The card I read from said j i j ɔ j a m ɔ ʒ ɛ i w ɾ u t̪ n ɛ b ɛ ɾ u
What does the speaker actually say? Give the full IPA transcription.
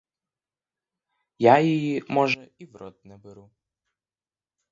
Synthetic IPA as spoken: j a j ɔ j i m ɔ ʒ ɛ i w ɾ ɔ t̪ n ɛ b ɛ ɾ u